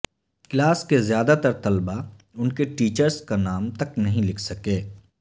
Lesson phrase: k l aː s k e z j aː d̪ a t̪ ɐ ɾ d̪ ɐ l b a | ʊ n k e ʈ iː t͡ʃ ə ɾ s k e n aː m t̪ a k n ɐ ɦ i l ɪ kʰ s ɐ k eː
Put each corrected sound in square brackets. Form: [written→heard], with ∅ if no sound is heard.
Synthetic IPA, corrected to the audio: k l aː s k e z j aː d̪ a t̪ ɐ ɾ [d̪→t̪] ɐ l b a | ʊ n k e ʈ iː t͡ʃ ə ɾ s k [e→a] n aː m t̪ [a→ɐ] k n ɐ ɦ [i→ĩ] l ɪ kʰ s ɐ k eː

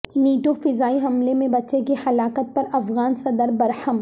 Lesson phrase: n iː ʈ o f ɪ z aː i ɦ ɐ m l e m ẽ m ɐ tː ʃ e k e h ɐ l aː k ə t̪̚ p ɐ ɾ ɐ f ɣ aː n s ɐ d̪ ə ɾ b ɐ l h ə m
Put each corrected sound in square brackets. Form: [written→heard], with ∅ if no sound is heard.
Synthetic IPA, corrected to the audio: n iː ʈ o f ɪ z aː i ɦ ɐ m l e m ẽ [m→b] ɐ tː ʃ e k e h ɐ l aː k ə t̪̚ p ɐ ɾ ɐ f ɣ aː n s ɐ d̪ ə ɾ b ɐ [l→ɾ] h ə m

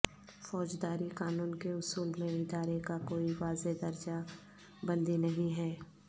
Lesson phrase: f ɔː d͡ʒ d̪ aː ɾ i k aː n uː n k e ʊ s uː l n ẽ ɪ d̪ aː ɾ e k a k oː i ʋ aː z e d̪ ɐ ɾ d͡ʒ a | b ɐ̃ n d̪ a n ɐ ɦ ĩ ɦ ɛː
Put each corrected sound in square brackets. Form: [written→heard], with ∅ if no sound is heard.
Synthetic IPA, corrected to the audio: f ɔː d͡ʒ d̪ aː ɾ i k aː n uː n k e ʊ s uː l [n→m] ẽ ɪ d̪ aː ɾ e k a k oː i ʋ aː z e d̪ ɐ ɾ d͡ʒ a | b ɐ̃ n d̪ [a→i] n ɐ ɦ ĩ ɦ ɛː

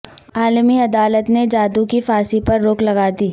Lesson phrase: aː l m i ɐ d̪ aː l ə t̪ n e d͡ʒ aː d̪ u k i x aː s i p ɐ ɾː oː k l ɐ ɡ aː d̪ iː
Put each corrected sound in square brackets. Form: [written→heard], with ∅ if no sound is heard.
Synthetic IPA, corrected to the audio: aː l m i ɐ d̪ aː l ə t̪ n e d͡ʒ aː d̪ u k i [x→f] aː s i p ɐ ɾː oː k l ɐ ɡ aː d̪ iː

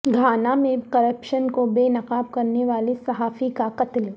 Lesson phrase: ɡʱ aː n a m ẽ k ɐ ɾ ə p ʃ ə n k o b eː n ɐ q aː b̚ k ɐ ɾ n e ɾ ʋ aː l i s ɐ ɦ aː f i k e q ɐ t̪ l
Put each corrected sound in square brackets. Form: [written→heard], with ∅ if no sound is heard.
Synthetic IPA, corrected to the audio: ɡʱ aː n a m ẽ k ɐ ɾ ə p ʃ ə n k o b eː n ɐ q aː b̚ k ɐ ɾ n e [ɾ→∅] ʋ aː l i s ɐ ɦ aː f i k [e→a] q ɐ t̪ l

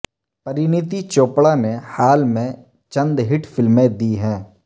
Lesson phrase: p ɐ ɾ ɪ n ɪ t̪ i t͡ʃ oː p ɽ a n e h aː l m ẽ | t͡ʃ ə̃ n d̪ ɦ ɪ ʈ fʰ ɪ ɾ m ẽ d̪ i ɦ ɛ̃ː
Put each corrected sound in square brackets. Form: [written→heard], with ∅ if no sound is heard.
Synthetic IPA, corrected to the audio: p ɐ ɾ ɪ n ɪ t̪ i t͡ʃ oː p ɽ a n e h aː l m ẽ | t͡ʃ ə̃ n d̪ ɦ ɪ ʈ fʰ ɪ [ɾ→l] m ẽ d̪ i ɦ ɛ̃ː

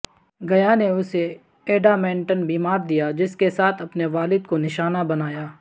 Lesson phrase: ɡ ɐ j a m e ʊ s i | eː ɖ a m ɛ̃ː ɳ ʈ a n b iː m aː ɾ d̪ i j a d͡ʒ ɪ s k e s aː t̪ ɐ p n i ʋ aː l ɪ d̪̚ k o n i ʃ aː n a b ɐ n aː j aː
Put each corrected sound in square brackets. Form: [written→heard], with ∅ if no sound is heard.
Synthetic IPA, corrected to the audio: ɡ ɐ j a [m→n] e ʊ s [i→e] | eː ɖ a m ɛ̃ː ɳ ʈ [a→ə] n b iː m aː ɾ d̪ i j a d͡ʒ ɪ s k e s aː [t̪→t̪ʰ] ɐ p n [i→e] ʋ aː l ɪ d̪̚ k o n [i→ɪ] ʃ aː n a b ɐ n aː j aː

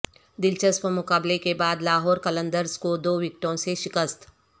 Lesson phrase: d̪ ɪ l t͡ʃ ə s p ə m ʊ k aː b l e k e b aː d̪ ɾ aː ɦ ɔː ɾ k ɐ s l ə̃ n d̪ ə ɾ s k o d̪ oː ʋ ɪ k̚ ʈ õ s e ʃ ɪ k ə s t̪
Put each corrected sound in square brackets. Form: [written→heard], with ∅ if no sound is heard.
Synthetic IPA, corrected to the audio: d̪ ɪ l t͡ʃ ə s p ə m ʊ k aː b l e k e b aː d̪ [ɾ→l] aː ɦ ɔː ɾ k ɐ [s→∅] l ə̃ n d̪ ə ɾ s k o d̪ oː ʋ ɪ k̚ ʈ õ s e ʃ ɪ k ə s t̪

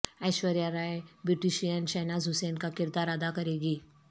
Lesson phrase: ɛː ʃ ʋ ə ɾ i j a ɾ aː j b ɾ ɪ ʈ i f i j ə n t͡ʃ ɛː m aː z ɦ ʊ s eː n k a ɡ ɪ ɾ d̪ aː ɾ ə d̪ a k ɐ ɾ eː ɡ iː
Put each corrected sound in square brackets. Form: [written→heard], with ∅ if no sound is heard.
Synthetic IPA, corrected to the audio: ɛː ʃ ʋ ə ɾ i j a ɾ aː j b ɾ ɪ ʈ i [f→ʃ] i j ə n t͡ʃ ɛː [m→n] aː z ɦ ʊ s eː n k a [ɡ→k] ɪ ɾ d̪ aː ɾ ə d̪ a k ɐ ɾ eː ɡ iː

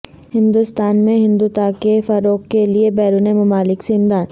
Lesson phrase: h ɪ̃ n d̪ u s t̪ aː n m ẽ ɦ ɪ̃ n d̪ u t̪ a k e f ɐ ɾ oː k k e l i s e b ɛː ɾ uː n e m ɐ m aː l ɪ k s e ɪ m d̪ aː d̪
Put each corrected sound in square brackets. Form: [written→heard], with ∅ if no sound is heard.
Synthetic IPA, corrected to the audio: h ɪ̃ n d̪ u s t̪ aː n m ẽ ɦ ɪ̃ n d̪ u t̪ a k e f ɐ ɾ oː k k e l i [s→∅] e b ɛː ɾ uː n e m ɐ m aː l ɪ k s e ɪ m d̪ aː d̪

